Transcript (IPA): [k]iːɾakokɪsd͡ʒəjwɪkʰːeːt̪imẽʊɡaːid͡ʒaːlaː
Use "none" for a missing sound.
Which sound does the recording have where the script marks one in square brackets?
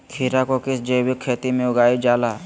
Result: kʰ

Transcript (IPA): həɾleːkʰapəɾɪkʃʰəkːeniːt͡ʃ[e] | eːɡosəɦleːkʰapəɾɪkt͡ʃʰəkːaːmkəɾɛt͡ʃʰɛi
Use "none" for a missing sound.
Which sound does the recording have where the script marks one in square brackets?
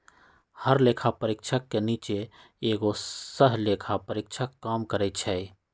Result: e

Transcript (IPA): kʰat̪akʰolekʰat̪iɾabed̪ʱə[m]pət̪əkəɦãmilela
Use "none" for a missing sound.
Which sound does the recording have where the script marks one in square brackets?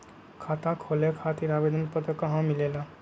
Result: n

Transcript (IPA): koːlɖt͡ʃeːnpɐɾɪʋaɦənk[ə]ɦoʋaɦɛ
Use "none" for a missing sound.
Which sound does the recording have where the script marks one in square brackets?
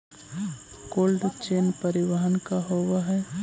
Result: a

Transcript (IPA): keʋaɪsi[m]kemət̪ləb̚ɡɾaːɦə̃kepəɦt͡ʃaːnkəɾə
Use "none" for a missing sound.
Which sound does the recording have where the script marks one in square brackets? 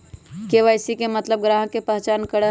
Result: none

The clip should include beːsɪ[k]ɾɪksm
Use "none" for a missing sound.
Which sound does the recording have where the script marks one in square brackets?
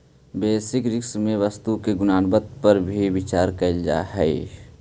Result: k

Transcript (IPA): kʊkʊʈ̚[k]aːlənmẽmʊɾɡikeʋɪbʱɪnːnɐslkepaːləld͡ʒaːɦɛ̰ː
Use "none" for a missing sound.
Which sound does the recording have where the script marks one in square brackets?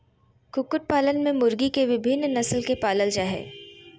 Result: p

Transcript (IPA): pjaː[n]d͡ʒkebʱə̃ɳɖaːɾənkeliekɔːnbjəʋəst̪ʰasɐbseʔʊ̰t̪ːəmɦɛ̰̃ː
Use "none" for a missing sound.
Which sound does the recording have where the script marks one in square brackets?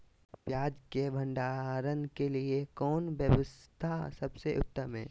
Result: none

